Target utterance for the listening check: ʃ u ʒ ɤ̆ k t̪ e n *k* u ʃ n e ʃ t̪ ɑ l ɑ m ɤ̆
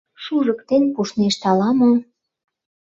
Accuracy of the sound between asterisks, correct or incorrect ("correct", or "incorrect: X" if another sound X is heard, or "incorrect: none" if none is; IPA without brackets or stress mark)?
incorrect: p